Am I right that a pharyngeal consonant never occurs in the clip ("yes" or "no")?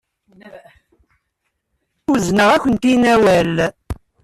yes